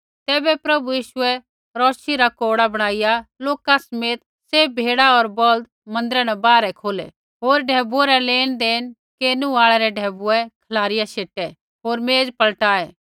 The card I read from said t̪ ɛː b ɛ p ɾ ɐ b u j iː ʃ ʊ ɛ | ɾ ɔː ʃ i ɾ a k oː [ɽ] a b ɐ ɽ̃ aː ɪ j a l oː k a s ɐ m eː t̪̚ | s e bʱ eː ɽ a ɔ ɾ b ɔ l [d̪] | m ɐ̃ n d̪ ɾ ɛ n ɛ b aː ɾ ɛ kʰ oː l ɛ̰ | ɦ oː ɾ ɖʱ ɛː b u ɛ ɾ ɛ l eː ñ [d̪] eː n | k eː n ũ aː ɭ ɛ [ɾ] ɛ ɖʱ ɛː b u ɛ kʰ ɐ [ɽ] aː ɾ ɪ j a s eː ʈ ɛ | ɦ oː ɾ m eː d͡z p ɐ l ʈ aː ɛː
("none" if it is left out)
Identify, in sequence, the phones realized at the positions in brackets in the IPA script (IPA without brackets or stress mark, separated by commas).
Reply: ɽ, d̪, d̪, ɾ, l